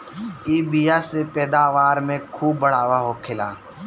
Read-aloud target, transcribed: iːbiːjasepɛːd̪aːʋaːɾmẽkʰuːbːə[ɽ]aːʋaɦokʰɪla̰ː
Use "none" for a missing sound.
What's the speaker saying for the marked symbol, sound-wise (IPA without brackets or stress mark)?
ɽ